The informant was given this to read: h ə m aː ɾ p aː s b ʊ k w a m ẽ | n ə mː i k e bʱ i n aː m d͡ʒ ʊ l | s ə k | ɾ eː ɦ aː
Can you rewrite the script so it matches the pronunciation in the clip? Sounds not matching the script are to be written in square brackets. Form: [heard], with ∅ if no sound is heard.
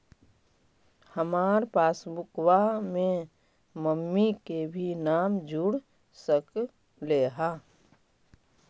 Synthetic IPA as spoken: h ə m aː ɾ p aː s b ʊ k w a m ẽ | [m] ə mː i k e bʱ i n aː m d͡ʒ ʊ [ɽ] | s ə k | [l] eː ɦ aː